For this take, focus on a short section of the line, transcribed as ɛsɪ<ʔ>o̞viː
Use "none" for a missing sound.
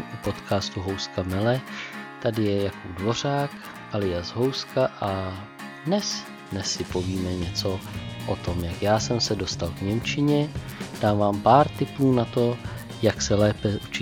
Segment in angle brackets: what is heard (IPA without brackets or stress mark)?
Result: p